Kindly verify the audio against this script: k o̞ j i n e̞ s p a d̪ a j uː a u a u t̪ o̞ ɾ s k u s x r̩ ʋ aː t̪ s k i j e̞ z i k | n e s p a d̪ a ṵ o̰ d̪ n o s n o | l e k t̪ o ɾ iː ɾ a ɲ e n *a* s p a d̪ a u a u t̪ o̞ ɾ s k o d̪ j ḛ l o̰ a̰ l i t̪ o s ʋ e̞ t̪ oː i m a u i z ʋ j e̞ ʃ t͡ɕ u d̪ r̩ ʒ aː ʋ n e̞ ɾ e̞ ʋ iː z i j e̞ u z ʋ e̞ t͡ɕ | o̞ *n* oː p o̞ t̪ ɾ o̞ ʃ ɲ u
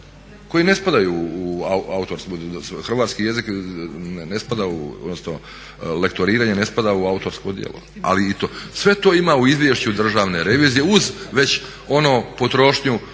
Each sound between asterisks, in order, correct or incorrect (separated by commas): incorrect, correct